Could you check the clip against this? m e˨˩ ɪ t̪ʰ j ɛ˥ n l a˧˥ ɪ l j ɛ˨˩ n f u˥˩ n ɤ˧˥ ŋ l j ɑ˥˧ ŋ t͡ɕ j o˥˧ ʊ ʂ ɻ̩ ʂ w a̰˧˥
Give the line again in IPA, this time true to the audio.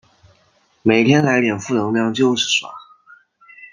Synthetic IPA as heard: m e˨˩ ɪ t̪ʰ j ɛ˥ n l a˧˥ ɪ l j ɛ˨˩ n f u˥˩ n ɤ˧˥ ŋ l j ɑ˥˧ ŋ t͡ɕ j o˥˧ ʊ ʂ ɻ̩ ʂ w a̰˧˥